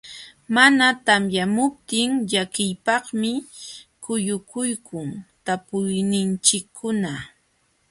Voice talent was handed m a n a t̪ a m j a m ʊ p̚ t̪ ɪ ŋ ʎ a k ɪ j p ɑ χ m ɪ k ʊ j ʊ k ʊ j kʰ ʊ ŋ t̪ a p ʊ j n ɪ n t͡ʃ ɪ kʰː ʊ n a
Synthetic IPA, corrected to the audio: m a n a t̪ a m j a m ʊ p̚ t̪ ɪ ŋ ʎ a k ɪ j p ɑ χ m ɪ k ʊ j ʊ k ʊ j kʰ ʊ ŋ t̪ a p ʊ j n ɪ n t͡ʃ ɪ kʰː ʊ n a